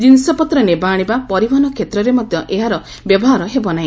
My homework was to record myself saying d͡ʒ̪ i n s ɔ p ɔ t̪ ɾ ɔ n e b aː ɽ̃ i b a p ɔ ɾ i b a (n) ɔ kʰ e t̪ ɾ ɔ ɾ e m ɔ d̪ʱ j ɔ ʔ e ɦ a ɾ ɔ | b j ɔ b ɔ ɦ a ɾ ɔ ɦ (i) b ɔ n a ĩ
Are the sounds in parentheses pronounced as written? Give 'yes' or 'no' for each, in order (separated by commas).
yes, no